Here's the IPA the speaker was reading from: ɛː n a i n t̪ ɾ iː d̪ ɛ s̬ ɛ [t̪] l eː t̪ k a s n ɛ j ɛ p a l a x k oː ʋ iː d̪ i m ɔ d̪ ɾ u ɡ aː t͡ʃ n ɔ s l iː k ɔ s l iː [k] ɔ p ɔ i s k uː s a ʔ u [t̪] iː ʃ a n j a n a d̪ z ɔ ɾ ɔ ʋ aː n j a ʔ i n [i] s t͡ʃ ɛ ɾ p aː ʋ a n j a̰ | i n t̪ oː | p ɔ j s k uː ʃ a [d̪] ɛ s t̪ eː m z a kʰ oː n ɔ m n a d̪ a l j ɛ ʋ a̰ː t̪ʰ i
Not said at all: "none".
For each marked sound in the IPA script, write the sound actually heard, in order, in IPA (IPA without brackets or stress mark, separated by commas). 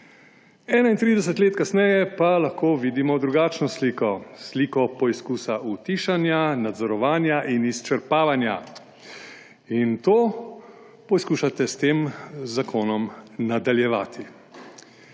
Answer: t̪, k, t̪, i, t̪